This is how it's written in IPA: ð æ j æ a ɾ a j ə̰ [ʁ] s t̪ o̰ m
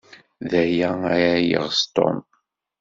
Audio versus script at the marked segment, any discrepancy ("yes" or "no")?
no